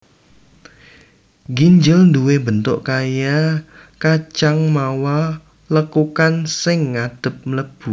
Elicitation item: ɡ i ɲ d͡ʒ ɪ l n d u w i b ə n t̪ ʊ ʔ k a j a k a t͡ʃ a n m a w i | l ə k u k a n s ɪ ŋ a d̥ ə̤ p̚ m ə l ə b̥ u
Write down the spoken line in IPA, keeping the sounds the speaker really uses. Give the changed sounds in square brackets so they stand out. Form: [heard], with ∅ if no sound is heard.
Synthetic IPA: ɡ i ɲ d͡ʒ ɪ l n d u w [e] b ə n t̪ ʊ ʔ k a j a k a t͡ʃ a [ŋ] m a w [a] | l ə k u k a n s ɪ ŋ a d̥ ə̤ p̚ m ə l ə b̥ u